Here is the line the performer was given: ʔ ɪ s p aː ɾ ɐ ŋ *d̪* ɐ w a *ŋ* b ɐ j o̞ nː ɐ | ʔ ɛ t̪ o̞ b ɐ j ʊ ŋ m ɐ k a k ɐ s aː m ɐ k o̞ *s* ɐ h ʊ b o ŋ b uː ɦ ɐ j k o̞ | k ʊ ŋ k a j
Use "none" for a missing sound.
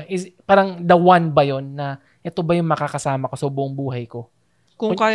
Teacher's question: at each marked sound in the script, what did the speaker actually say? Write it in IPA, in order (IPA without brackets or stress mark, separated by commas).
d̪, n, s